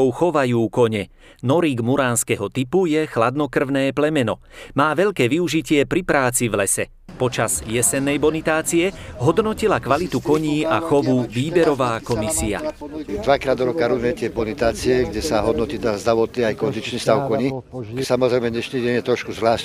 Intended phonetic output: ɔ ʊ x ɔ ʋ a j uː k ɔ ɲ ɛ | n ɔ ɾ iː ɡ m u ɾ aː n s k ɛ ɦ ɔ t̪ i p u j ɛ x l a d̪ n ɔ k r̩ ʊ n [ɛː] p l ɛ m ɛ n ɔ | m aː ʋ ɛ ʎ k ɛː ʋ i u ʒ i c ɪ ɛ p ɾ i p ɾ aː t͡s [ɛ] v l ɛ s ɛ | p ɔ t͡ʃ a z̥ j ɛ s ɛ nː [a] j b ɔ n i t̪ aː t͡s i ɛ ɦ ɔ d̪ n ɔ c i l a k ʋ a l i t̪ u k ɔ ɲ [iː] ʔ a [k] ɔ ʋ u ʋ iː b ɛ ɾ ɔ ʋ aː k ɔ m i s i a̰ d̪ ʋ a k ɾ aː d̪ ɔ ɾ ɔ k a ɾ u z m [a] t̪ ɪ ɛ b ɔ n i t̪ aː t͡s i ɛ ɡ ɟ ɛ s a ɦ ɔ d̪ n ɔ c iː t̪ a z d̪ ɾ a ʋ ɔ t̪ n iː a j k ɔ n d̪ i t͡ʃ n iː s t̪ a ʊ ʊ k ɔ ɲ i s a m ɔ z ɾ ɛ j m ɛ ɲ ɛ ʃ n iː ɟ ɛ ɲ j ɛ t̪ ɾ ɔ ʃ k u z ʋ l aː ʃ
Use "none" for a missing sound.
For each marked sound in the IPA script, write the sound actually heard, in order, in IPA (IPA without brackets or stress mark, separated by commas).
ɛː, i, ɛ, iː, x, ɛ